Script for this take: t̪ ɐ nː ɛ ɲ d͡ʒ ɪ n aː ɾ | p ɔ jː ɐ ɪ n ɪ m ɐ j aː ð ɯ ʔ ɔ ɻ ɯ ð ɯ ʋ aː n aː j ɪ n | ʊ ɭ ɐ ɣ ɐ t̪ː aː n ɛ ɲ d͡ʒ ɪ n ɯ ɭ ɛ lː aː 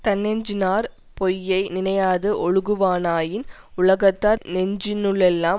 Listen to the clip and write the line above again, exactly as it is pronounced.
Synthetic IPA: t̪ ɐ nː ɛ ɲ d͡ʒ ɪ n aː ɾ | p ɔ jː ɐ ɪ n ɪ n ɐ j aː ð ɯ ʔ ɔ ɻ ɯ ɣ ɯ ʋ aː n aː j ɪ n | ʊ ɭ ɐ ɣ ɐ t̪ː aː n ɛ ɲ d͡ʒ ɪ n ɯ ɭ ɛ lː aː

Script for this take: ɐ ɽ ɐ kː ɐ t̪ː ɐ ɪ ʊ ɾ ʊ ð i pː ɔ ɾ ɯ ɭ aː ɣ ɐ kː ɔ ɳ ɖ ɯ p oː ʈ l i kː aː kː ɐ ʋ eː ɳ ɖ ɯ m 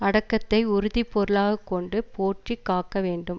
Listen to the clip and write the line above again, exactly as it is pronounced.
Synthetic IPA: ɐ ɽ ɐ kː ɐ t̪ː ɐ ɪ ʊ ɾ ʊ ð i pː ɔ ɾ ɯ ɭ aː ɣ ɐ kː ɔ ɳ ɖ ɯ p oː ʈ r i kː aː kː ɐ ʋ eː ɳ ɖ ɯ m

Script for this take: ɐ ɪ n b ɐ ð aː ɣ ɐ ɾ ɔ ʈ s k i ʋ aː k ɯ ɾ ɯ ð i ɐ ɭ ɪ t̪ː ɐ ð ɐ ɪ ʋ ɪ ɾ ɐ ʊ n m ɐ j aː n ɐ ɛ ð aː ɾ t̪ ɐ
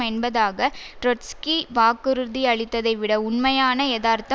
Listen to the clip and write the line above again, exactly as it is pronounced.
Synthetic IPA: ɐ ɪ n b ɐ ð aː ɣ ɐ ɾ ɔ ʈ s k i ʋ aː k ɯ ɾ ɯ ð i ɐ ɭ ɪ t̪ː ɐ ð ɐ ɪ ʋ ɪ ɽ ɐ ʊ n m ɐ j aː n ɐ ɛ ð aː ɾ t̪ ɐ

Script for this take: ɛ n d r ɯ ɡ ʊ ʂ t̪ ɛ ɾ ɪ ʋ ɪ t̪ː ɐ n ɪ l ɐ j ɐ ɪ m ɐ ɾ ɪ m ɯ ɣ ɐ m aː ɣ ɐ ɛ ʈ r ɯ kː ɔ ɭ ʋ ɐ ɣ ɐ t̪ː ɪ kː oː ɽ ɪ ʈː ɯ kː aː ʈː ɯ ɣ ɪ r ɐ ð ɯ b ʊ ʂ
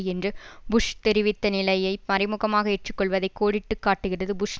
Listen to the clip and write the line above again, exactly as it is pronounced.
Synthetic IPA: ɛ n d r ɯ b ʊ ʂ t̪ ɛ ɾ ɪ ʋ ɪ t̪ː ɐ n ɪ l ɐ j ɐ ɪ m ɐ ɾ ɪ m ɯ ɣ ɐ m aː ɣ ɐ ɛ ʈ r ɯ kː ɔ ɭ ʋ ɐ ð ɐ ɪ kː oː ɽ ɪ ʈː ɯ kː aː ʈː ɯ ɣ ɪ r ɐ ð ɯ b ʊ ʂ

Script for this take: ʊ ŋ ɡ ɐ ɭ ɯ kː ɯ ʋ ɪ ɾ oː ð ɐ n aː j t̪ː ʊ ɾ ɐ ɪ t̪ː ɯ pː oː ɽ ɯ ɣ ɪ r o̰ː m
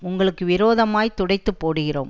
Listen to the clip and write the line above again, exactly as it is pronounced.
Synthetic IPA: ʊ ŋ ɡ ɐ ɭ ɯ kː ɯ ʋ ɪ ɾ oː ð ɐ m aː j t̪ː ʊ ɽ ɐ ɪ t̪ː ɯ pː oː ɽ ɯ ɣ ɪ r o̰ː m

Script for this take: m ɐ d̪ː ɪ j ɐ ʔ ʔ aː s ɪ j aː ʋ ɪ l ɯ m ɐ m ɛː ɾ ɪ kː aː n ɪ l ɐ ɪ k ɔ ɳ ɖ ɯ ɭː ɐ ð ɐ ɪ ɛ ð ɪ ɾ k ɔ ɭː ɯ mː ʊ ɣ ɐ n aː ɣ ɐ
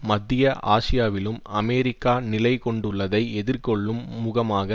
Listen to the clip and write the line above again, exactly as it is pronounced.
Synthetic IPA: m ɐ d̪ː ɪ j ɐ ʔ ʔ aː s ɪ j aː ʋ ɪ l ɯ m ɐ m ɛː ɾ ɪ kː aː n ɪ l ɐ ɪ k ɔ ɳ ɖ ɯ ɭː ɐ ð ɐ ɪ ɛ ð ɪ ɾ k ɔ ɭː ɯ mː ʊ ɣ ɐ m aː ɣ ɐ

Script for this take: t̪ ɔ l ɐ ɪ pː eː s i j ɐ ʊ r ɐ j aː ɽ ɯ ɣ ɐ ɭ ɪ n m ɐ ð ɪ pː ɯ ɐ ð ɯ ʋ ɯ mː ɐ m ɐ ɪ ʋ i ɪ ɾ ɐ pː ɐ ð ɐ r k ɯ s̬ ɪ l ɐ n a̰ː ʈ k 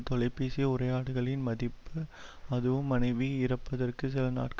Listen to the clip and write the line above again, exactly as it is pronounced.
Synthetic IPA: t̪ ɔ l ɐ ɪ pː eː s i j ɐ ʊ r ɐ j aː ɽ ɯ ɣ ɐ ɭ ɪ n m ɐ ð ɪ pː ɯ ɐ ð ɯ ʋ ɯ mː ɐ n ɐ ɪ ʋ i ɪ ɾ ɐ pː ɐ ð ɐ r k ɯ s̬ ɪ l ɐ n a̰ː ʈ k

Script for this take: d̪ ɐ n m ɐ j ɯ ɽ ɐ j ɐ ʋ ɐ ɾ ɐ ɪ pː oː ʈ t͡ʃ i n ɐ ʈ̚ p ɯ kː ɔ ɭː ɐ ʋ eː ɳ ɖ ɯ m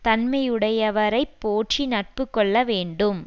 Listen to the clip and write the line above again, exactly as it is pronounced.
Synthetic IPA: t̪ ɐ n m ɐ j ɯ ɽ ɐ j ɐ ʋ ɐ ɾ ɐ ɪ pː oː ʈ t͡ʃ i n ɐ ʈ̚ p ɯ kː ɔ ɭː ɐ ʋ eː ɳ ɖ ɯ m

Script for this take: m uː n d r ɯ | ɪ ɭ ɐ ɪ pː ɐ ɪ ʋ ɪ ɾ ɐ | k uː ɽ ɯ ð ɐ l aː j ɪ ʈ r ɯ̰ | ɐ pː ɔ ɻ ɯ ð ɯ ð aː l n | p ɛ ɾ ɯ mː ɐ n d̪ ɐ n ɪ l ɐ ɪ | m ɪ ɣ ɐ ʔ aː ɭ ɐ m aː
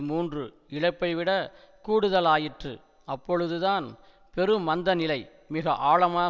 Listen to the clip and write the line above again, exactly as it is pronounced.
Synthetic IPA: m uː n d r ɯ | ɪ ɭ ɐ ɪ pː ɐ ɪ ʋ ɪ ɽ ɐ | k uː ɽ ɯ ð ɐ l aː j ɪ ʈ r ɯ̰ | ɐ pː ɔ ɻ ɯ ð ɯ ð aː n | p ɛ ɾ ɯ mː ɐ n d̪ ɐ n ɪ l ɐ ɪ | m ɪ ɣ ɐ ʔ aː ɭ ɐ m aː

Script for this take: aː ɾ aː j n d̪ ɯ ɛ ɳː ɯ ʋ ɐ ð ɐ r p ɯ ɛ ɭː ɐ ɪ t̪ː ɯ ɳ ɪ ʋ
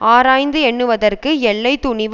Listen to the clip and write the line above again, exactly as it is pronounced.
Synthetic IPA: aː ɾ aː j n d̪ ɯ ɛ ɳː ɯ ʋ ɐ ð ɐ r k ɯ ɛ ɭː ɐ ɪ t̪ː ʊ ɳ ɪ ʋ

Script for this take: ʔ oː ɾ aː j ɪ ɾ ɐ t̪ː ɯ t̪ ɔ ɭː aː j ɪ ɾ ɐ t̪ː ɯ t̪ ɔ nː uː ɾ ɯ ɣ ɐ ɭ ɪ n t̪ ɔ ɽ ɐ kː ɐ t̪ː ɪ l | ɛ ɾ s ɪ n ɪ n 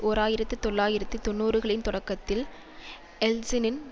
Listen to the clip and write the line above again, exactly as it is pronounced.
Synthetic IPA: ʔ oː ɾ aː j ɪ ɾ ɐ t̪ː ɯ t̪ ɔ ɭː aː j ɪ ɾ ɐ t̪ː ɯ t̪ ɔ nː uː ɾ ɯ ɣ ɐ ɭ ɪ n t̪ ɔ ɽ ɐ kː ɐ t̪ː ɪ l | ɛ l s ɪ n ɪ n

